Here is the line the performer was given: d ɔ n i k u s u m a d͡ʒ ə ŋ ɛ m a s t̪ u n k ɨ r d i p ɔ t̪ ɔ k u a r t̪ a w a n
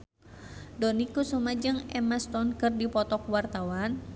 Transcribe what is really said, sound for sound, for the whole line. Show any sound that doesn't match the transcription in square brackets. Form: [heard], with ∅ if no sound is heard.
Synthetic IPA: d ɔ n i k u s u m a d͡ʒ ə ŋ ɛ m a s t̪ [ɔ] n k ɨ r d i p ɔ t̪ ɔ k [w] a r t̪ a w a n

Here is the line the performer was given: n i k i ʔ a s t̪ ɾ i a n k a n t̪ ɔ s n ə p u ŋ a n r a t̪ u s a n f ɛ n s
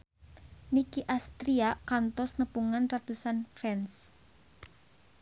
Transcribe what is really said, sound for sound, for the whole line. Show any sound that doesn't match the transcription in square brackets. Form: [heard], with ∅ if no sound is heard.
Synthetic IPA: n i k i ʔ a s t̪ ɾ i a [∅] k a n t̪ ɔ s n ə p u ŋ a n r a t̪ u s a n f ɛ n s

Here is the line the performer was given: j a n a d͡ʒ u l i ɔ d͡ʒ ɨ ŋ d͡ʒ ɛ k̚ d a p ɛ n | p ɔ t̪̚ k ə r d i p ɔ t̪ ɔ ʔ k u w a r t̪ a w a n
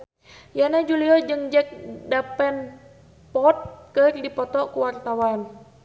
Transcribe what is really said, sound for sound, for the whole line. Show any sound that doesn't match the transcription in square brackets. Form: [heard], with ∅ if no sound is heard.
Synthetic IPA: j a n a d͡ʒ u l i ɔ d͡ʒ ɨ ŋ d͡ʒ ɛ k̚ d a p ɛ n | p ɔ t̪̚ k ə r d i p ɔ t̪ ɔ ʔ k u w a r t̪ a w a n

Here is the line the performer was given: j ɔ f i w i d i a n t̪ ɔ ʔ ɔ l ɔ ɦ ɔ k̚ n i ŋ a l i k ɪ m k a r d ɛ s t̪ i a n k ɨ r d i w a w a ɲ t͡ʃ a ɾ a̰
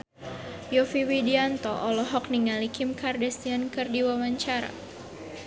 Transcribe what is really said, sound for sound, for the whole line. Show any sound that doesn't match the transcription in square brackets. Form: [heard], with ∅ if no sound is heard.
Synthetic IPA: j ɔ f i w i d i a n t̪ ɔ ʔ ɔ l ɔ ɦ ɔ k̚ n i ŋ a l i k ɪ m k a r d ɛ s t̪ i a n k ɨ r d i w a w a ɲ t͡ʃ a ɾ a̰

